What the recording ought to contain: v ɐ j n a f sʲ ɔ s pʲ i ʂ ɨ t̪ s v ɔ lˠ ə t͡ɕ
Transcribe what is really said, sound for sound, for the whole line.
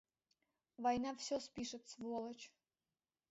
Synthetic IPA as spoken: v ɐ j n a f sʲ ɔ s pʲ i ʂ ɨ t̪ s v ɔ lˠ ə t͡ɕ